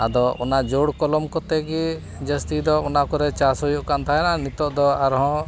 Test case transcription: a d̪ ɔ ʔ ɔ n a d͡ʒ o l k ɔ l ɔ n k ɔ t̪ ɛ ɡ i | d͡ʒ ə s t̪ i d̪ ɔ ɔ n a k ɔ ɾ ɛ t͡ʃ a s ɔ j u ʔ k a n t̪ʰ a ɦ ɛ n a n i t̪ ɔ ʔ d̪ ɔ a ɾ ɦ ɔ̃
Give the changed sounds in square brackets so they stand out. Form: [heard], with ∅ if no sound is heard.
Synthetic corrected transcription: a d̪ ɔ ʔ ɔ n a d͡ʒ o [ɽ] k ɔ l ɔ [m] k ɔ t̪ ɛ ɡ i | d͡ʒ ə s t̪ i d̪ ɔ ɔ n a k ɔ ɾ ɛ t͡ʃ a s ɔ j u ʔ k a n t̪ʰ a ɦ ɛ n a n i t̪ ɔ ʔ d̪ ɔ a ɾ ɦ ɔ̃